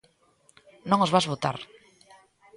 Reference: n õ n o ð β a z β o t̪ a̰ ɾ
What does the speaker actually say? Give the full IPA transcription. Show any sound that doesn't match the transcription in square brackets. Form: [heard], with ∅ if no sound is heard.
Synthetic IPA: n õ [ŋ] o [z] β a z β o t̪ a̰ ɾ